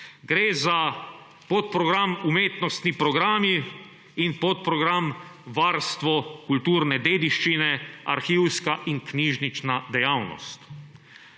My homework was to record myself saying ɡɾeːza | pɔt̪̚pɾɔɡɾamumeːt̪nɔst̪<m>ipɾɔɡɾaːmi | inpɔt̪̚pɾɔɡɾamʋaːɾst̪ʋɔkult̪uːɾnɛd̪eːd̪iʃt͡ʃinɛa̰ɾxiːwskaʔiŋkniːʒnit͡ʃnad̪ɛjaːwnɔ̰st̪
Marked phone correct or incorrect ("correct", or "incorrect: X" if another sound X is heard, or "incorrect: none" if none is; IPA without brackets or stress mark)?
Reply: incorrect: n